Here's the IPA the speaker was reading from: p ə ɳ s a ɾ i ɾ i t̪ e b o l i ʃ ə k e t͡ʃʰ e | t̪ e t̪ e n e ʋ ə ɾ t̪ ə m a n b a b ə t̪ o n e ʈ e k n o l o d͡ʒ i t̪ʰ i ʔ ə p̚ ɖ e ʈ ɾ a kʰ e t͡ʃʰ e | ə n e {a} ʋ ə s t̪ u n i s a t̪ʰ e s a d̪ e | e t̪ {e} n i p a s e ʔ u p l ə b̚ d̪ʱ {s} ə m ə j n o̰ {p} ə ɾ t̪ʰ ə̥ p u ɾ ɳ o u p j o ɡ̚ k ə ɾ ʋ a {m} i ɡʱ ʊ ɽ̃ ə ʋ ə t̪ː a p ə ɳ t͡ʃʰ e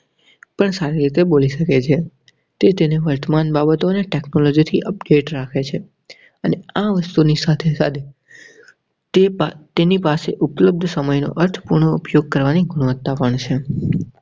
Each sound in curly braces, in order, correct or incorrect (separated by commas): correct, correct, correct, incorrect, incorrect